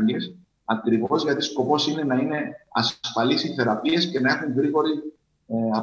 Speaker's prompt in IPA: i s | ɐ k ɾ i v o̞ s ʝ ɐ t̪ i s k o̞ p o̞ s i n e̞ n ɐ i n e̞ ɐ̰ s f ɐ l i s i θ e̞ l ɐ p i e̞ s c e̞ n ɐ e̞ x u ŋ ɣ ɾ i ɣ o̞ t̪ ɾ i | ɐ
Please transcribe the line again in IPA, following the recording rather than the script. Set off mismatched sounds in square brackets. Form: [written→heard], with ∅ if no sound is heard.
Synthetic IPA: i s | ɐ k ɾ i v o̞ [s→z] ʝ ɐ t̪ i s k o̞ p o̞ s i n e̞ n ɐ i n e̞ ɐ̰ s f ɐ l i s i θ e̞ [l→ɾ] ɐ p i e̞ s c e̞ n ɐ e̞ x u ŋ ɣ ɾ i ɣ o̞ [t̪→∅] ɾ i | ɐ